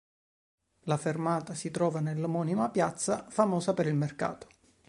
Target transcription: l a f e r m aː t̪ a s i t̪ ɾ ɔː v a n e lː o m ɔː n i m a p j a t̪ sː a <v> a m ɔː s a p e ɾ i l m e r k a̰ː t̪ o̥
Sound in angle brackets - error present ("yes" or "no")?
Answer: yes